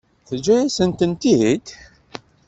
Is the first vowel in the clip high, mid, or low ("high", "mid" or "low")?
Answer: mid